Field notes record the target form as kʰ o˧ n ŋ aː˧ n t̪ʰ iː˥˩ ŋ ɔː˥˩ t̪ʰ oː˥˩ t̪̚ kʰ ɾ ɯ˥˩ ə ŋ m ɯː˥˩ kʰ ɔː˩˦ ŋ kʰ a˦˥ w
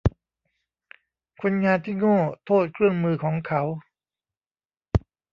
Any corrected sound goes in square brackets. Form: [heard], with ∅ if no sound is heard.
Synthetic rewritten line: kʰ o˧ n ŋ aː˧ n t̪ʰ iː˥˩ ŋ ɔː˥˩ t̪ʰ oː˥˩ t̪̚ kʰ ɾ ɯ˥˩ ə ŋ m [ɯː˧] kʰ ɔː˩˦ ŋ kʰ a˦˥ w

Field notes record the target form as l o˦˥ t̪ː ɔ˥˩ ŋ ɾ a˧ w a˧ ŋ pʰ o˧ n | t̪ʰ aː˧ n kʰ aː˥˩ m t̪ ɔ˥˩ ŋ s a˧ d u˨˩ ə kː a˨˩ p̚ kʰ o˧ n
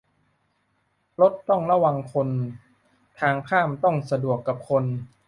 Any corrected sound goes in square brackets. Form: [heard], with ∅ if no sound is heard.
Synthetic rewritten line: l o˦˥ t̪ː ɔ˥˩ ŋ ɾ a˧ w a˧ ŋ [kʰ] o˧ n | t̪ʰ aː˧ [ŋ] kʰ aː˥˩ m t̪ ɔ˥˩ ŋ s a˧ d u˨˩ ə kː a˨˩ p̚ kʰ o˧ n

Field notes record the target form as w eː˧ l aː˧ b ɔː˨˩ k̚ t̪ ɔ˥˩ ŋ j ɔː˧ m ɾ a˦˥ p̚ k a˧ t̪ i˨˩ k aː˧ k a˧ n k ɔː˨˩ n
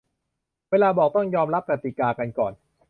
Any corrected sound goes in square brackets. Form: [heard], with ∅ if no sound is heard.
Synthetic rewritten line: w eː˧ l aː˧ b ɔː˨˩ k̚ t̪ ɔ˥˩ ŋ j ɔː˧ m ɾ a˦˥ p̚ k [a˨˩] t̪ i˨˩ k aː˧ k a˧ n k ɔː˨˩ n

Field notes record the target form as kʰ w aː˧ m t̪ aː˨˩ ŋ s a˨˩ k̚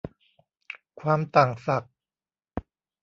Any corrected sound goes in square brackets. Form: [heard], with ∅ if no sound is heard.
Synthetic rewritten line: kʰ w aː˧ m t̪ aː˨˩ ŋ s a˨˩ k̚

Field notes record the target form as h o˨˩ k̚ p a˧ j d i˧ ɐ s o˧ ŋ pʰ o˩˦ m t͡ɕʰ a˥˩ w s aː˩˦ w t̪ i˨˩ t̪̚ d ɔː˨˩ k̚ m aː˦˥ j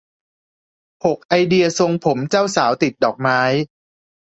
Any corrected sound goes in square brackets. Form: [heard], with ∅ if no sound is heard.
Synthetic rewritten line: h o˨˩ k̚ [ʔ] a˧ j d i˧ ɐ s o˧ ŋ pʰ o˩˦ m [t͡ɕ] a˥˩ w s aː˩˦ w t̪ i˨˩ t̪̚ d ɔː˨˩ k̚ m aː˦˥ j

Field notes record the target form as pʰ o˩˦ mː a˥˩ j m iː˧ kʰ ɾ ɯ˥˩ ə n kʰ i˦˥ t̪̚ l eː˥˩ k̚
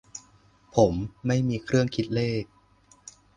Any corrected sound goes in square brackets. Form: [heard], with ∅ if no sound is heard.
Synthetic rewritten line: pʰ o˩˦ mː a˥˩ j m iː˧ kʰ ɾ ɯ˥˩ ə [ŋ] kʰ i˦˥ t̪̚ l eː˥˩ k̚

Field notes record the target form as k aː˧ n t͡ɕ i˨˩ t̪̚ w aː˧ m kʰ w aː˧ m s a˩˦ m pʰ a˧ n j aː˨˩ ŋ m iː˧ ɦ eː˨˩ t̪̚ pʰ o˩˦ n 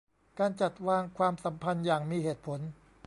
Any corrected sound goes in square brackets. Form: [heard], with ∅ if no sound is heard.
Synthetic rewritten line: k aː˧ n t͡ɕ [a˨˩] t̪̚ w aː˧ [ŋ] kʰ w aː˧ m s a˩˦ m pʰ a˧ n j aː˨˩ ŋ m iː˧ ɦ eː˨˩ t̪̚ pʰ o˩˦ n

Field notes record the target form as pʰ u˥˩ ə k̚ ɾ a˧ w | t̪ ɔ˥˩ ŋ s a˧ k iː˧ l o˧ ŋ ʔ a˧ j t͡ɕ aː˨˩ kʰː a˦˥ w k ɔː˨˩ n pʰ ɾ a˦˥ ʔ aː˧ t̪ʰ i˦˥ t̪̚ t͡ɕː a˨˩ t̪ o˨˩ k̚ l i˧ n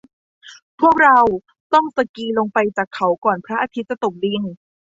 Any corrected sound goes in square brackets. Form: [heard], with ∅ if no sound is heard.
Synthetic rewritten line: pʰ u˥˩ ə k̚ ɾ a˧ w | t̪ ɔ˥˩ ŋ s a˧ k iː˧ l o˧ ŋ [p] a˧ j t͡ɕ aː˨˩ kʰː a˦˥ w k ɔː˨˩ n pʰ ɾ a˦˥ ʔ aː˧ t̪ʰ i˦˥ t̪̚ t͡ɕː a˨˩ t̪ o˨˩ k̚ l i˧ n

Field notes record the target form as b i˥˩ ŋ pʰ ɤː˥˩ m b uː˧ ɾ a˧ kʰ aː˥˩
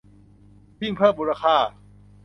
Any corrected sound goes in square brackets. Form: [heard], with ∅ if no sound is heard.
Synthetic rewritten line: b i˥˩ ŋ pʰ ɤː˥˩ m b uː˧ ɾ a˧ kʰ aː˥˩

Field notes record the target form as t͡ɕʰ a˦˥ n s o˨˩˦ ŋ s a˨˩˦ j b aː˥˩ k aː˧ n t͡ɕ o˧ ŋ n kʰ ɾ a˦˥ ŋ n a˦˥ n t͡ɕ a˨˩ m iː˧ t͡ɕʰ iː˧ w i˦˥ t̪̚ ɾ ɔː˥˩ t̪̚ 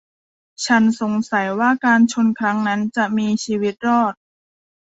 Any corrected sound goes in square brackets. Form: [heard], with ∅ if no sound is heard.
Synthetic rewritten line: t͡ɕʰ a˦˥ n s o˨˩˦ ŋ s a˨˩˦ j [w] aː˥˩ k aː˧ n [t͡ɕʰ] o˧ [∅] n kʰ ɾ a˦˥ ŋ n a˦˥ n t͡ɕ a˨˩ m iː˧ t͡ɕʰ iː˧ w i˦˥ t̪̚ ɾ ɔː˥˩ t̪̚

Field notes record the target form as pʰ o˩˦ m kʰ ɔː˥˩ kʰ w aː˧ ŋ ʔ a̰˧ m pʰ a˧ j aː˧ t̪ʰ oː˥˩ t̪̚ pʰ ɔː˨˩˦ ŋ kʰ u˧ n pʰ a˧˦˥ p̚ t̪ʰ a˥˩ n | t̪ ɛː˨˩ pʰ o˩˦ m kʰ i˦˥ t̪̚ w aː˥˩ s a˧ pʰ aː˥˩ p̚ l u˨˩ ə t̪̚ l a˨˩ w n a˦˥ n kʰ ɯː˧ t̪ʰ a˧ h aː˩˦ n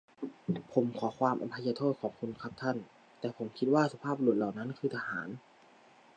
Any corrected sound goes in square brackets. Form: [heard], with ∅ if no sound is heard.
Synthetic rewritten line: pʰ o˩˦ m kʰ [ɔː˩˦] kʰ w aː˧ [m] ʔ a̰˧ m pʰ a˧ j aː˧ t̪ʰ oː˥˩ t̪̚ [kʰ] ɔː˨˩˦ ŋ kʰ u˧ n [kʰ] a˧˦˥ p̚ t̪ʰ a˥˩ n | t̪ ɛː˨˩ pʰ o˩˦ m kʰ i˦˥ t̪̚ w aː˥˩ s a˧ pʰ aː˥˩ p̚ l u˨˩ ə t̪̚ l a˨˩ w n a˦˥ n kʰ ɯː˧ t̪ʰ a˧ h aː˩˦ n

